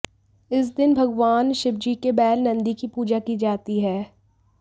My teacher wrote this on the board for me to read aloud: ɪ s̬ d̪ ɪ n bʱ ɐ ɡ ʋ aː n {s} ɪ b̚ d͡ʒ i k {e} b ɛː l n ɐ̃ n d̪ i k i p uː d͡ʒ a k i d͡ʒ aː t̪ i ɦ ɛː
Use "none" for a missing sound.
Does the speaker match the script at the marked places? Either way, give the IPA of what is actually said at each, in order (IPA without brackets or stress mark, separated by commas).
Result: ʃ, e